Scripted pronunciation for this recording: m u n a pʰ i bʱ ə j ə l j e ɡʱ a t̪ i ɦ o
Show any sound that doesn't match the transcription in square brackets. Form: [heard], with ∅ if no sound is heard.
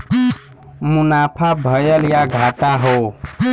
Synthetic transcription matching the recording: m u n a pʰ [a] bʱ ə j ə l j [a] ɡʱ a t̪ [a] ɦ o